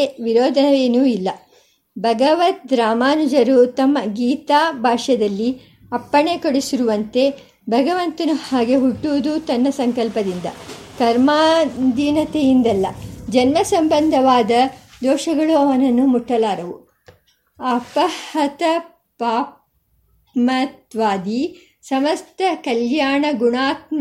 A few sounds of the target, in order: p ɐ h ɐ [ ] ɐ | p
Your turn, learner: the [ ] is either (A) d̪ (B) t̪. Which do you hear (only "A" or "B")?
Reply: B